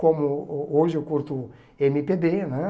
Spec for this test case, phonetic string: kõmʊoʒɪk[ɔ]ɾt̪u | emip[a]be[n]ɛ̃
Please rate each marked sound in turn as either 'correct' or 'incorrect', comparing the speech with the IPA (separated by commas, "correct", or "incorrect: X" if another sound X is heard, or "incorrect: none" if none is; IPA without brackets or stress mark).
incorrect: u, incorrect: e, correct